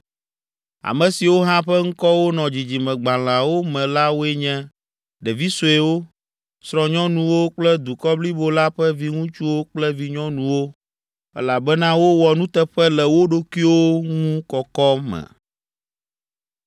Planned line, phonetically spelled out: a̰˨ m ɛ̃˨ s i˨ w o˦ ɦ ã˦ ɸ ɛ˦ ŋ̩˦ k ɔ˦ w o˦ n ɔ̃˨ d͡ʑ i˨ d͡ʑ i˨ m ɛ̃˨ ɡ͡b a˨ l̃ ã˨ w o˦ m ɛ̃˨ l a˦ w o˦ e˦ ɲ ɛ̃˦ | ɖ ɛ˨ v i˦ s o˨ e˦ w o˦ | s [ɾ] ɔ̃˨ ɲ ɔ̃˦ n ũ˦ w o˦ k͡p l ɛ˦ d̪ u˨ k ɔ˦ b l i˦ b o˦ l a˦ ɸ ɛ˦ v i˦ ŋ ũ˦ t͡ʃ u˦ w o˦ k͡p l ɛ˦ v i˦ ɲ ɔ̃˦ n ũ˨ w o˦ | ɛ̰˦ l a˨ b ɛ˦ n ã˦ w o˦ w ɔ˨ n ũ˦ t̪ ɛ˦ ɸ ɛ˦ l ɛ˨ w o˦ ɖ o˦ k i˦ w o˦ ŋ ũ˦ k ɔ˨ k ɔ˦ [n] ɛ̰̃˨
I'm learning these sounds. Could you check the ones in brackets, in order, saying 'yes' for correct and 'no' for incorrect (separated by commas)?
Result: yes, no